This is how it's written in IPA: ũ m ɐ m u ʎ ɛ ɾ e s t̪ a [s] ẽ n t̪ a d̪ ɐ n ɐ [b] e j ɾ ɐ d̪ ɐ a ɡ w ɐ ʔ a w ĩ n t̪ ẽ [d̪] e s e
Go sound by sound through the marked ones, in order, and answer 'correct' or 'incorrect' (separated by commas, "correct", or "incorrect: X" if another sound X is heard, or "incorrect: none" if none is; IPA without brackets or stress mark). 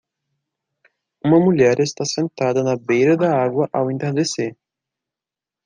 correct, correct, correct